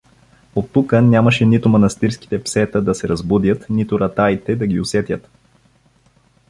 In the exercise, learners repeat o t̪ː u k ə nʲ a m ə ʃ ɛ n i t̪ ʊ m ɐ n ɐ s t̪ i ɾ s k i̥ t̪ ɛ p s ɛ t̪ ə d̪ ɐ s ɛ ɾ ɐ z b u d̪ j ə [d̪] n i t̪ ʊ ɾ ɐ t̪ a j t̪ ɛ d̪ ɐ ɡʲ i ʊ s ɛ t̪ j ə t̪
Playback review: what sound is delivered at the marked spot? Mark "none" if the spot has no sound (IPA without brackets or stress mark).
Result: t̪